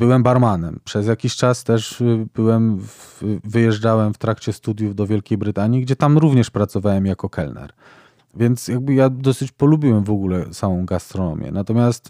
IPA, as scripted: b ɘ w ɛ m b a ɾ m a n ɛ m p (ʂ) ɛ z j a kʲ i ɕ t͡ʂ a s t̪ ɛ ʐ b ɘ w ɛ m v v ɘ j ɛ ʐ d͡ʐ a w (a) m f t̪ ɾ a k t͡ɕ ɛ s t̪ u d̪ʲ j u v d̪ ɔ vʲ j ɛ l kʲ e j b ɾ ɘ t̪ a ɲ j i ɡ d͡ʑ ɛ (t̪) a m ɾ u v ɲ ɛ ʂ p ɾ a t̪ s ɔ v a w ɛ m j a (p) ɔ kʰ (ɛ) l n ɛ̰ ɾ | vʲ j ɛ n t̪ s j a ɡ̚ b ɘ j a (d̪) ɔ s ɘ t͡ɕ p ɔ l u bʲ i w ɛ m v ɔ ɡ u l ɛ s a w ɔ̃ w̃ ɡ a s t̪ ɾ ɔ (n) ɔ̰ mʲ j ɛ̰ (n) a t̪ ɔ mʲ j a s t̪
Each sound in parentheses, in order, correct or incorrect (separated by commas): correct, incorrect, correct, incorrect, correct, correct, correct, correct